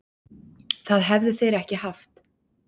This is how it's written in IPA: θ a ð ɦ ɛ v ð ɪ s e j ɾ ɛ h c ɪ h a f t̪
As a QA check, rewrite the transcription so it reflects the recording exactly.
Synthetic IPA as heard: θ a ð ɦ ɛ v ð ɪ θ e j ɾ ɛ h c ɪ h a f t̪